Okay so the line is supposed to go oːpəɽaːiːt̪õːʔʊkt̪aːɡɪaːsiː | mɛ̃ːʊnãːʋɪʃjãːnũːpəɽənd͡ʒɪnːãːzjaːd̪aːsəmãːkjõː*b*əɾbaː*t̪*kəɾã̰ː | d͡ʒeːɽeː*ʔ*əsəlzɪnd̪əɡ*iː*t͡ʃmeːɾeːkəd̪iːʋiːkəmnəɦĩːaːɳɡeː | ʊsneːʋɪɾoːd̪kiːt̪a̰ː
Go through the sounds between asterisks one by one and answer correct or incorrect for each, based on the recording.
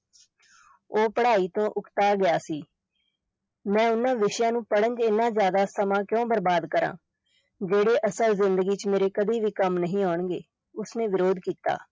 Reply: correct, incorrect, correct, correct

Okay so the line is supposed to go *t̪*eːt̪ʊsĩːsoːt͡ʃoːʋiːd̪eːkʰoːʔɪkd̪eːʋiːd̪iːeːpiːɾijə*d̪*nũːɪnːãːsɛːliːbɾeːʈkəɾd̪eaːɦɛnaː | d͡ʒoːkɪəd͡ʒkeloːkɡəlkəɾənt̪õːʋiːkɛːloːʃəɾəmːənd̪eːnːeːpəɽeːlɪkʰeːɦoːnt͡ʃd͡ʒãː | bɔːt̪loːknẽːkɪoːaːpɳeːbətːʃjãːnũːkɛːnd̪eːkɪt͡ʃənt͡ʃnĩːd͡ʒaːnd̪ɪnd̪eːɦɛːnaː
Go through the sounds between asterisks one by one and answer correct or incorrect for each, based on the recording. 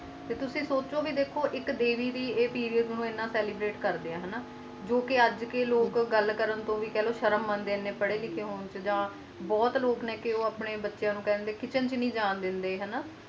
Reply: correct, correct

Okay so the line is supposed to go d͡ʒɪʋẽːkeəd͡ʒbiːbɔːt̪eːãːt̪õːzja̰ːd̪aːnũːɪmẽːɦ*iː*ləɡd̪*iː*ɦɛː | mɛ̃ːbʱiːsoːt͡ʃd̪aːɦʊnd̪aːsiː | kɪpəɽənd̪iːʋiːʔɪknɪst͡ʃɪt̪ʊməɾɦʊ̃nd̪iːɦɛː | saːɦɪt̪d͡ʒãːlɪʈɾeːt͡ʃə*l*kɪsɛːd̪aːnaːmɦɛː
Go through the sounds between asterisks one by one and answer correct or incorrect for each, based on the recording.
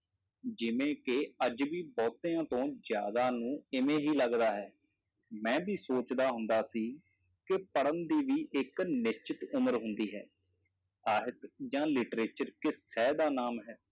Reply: correct, incorrect, incorrect

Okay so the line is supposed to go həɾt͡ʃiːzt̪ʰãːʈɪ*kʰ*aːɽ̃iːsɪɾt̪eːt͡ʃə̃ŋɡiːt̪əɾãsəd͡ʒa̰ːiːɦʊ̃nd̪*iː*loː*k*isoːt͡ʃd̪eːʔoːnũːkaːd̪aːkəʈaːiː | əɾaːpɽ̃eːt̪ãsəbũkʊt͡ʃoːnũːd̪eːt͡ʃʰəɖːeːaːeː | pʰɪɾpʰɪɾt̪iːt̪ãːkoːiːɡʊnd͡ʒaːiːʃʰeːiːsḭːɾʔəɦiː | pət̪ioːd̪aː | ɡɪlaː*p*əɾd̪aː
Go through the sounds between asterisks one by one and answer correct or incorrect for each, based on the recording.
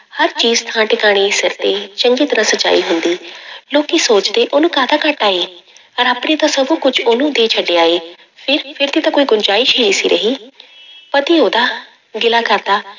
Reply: incorrect, correct, correct, incorrect

